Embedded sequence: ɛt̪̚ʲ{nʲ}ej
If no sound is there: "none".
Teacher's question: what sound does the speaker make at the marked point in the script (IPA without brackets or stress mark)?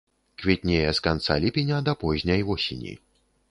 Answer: nʲ